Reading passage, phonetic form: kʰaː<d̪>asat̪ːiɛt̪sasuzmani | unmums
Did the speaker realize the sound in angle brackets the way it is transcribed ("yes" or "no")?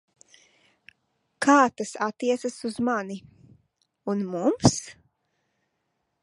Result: no